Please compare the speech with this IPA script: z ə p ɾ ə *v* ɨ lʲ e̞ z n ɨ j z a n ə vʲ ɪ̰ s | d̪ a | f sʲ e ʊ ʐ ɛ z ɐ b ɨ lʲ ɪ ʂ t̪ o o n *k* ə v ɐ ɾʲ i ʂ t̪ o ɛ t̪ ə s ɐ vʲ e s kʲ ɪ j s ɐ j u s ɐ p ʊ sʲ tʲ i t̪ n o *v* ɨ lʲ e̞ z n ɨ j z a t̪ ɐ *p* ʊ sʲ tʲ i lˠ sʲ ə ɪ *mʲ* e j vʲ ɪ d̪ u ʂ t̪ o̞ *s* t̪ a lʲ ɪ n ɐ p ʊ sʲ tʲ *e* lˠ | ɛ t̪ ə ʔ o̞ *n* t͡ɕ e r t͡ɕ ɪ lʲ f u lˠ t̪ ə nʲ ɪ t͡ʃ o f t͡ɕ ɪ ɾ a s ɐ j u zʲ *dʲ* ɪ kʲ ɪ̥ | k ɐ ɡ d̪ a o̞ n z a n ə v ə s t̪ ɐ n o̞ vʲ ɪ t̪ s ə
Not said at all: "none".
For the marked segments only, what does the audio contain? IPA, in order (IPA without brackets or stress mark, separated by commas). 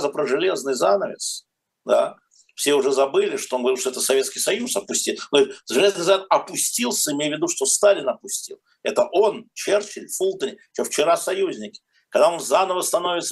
ʐ, ɡ, ʐ, p, mʲ, s, i, n, nʲ